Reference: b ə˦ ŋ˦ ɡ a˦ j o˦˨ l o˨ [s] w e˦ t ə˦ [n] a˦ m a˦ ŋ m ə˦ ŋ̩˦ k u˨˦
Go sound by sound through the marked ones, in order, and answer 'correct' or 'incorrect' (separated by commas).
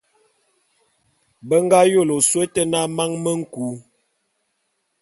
correct, correct